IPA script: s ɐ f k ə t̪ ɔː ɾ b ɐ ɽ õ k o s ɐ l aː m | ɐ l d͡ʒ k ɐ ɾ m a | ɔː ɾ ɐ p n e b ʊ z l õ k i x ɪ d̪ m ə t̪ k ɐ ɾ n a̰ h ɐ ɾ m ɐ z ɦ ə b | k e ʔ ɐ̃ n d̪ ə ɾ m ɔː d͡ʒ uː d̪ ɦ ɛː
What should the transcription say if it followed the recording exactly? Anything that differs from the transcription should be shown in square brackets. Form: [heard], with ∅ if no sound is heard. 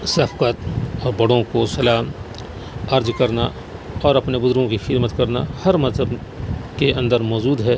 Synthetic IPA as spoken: s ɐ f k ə t̪ ɔː ɾ b ɐ ɽ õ k o s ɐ l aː m | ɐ [ɾ] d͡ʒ k ɐ ɾ [n] a | ɔː ɾ ɐ p n e b ʊ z [ɾ] õ k i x ɪ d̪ m ə t̪ k ɐ ɾ n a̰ h ɐ ɾ m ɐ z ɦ ə b | k e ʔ ɐ̃ n d̪ ə ɾ m ɔː d͡ʒ uː d̪ ɦ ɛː

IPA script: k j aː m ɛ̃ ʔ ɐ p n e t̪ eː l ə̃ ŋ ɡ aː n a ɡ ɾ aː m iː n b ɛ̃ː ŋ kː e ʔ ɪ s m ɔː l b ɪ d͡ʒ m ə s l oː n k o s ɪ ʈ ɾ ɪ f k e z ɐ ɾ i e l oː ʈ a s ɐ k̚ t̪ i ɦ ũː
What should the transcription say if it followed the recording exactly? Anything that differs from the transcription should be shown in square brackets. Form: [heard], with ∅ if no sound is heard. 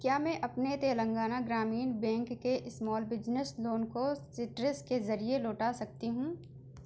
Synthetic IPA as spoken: k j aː m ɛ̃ ʔ ɐ p n e t̪ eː l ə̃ ŋ ɡ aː n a ɡ ɾ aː m iː n b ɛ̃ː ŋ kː e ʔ ɪ s m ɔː l b ɪ d͡ʒ [n] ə s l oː n k o s ɪ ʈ ɾ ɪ [s] k e z ɐ ɾ i e l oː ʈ a s ɐ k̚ t̪ i ɦ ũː

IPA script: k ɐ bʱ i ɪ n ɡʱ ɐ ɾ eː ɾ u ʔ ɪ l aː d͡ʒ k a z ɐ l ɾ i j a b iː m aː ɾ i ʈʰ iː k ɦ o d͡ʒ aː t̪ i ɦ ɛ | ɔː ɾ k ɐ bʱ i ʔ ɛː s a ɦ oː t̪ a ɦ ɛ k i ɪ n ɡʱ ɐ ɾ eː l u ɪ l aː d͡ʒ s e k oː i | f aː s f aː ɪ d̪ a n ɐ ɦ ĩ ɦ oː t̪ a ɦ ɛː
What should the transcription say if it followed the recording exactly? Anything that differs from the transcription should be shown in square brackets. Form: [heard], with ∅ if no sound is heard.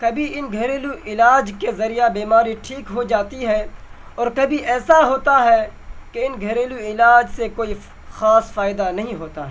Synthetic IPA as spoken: k ɐ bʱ i ɪ n ɡʱ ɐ ɾ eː [l] u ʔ ɪ l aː d͡ʒ k [e] z ɐ [∅] ɾ i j a b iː m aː ɾ i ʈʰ iː k ɦ o d͡ʒ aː t̪ i ɦ ɛ | ɔː ɾ k ɐ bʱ i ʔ ɛː s a ɦ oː t̪ a ɦ ɛ k [e] ɪ n ɡʱ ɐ ɾ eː l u ɪ l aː d͡ʒ s e k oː i | [x] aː s f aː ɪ d̪ a n ɐ ɦ ĩ ɦ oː t̪ a ɦ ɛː

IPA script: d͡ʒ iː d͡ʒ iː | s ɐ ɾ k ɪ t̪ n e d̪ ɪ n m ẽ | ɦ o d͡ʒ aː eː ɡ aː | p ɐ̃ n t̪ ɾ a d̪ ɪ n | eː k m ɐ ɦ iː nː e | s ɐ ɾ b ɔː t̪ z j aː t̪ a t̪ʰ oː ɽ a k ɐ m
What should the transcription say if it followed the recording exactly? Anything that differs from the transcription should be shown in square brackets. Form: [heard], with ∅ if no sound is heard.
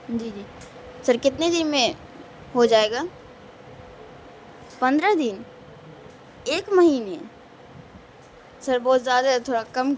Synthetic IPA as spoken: d͡ʒ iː d͡ʒ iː | s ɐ ɾ k ɪ t̪ n e d̪ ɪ n m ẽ | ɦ o d͡ʒ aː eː ɡ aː | p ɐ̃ n [d̪] ɾ a d̪ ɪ n | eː k m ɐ ɦ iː [n] e | s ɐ ɾ b ɔː t̪ z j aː [d̪] a t̪ʰ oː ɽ a k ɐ m

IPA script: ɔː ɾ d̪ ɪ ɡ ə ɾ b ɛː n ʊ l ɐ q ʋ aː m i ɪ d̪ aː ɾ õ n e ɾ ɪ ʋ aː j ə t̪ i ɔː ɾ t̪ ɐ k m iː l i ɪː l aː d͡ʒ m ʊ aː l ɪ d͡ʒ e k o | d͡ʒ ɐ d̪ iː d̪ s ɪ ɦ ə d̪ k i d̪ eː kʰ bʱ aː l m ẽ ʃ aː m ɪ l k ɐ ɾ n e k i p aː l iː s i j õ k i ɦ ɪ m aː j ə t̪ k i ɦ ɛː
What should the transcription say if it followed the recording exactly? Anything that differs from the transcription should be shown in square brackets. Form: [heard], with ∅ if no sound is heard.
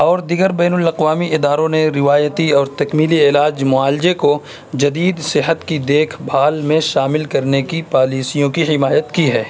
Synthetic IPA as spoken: ɔː ɾ d̪ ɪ ɡ ə ɾ b ɛː n ʊ l ɐ q ʋ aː m i ɪ d̪ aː ɾ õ n e ɾ ɪ ʋ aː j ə t̪ i ɔː ɾ t̪ ɐ k m iː l i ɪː l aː d͡ʒ m ʊ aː l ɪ d͡ʒ e k o | d͡ʒ ɐ d̪ iː d̪ s ɪ ɦ ə [t̪] k i d̪ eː kʰ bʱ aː l m ẽ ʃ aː m ɪ l k ɐ ɾ n e k i p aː l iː s i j õ k i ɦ ɪ m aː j ə t̪ k i ɦ ɛː

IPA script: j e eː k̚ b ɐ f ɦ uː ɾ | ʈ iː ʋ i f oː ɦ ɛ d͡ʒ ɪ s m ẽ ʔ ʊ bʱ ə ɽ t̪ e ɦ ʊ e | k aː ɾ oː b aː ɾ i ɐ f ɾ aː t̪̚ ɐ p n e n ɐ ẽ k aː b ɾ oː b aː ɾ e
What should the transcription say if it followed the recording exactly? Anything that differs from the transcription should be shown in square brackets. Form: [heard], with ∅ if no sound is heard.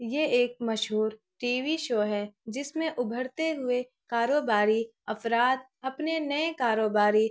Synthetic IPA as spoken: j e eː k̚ [m] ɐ [ʃ] ɦ uː ɾ | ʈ iː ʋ i [ʃ] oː ɦ ɛ d͡ʒ ɪ s m ẽ ʔ ʊ bʱ ə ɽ t̪ e ɦ ʊ e | k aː ɾ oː b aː ɾ i ɐ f ɾ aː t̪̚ ɐ p n e n ɐ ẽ k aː [∅] ɾ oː b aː ɾ [i]

